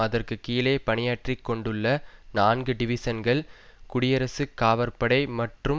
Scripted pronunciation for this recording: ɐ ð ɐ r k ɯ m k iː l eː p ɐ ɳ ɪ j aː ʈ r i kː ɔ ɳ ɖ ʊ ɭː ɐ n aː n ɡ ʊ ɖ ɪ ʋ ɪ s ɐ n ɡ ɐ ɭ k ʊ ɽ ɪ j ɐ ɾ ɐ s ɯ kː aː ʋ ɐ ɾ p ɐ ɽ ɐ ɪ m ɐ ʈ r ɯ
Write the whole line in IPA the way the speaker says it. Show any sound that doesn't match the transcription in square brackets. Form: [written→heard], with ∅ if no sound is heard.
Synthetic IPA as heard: ɐ ð ɐ r k ɯ [m→∅] k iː l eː p ɐ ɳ ɪ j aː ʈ r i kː ɔ ɳ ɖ [ʊ→ɯ] ɭː ɐ n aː n ɡ [ʊ→ɯ] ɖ ɪ ʋ ɪ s ɐ n ɡ ɐ ɭ k ʊ ɽ ɪ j ɐ ɾ ɐ s ɯ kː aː ʋ ɐ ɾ p ɐ ɽ ɐ ɪ m ɐ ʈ r ɯ